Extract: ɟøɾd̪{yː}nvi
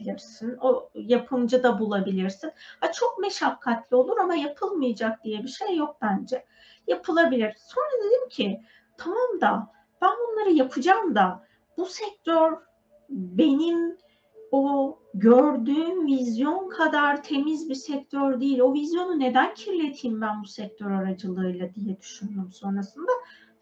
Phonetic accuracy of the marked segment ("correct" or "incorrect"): correct